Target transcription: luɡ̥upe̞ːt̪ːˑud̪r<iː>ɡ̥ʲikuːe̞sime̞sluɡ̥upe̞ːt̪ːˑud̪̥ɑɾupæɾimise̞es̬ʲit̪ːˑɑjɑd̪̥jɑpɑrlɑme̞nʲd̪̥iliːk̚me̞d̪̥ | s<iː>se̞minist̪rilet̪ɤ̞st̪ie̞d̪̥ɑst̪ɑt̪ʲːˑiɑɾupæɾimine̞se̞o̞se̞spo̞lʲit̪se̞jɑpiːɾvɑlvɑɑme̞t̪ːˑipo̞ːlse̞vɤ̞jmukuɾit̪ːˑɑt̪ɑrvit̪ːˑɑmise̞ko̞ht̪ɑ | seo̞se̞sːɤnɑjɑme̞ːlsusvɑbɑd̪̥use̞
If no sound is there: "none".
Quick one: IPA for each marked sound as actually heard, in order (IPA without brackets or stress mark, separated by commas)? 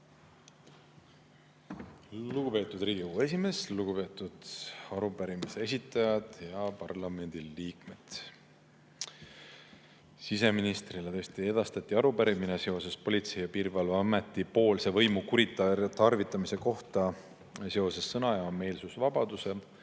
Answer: iː, i